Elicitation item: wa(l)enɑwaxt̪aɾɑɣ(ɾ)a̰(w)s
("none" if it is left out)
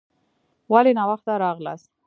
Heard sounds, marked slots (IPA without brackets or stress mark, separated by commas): l, l, none